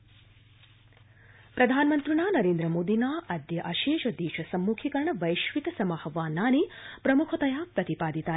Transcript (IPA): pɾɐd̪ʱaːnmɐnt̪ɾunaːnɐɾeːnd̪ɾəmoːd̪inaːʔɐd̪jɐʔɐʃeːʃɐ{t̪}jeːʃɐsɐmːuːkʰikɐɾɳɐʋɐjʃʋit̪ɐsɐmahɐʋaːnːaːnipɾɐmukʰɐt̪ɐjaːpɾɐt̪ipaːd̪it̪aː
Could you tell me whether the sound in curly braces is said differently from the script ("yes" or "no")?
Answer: yes